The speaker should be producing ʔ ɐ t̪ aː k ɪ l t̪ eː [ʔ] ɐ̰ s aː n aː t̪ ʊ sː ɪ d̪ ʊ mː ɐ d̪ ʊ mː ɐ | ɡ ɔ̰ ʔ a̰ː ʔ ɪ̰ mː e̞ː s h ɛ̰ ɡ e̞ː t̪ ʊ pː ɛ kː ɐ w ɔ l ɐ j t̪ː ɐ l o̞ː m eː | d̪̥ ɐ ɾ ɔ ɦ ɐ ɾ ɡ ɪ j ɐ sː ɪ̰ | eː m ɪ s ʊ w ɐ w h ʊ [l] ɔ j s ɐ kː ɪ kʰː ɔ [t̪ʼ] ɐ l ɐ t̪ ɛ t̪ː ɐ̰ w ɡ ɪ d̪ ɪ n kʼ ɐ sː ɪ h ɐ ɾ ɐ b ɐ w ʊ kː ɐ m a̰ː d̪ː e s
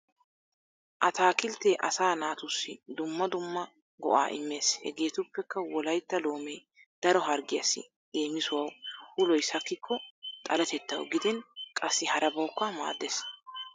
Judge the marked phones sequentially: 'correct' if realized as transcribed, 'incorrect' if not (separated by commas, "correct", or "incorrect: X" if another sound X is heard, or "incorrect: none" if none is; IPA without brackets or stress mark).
correct, correct, correct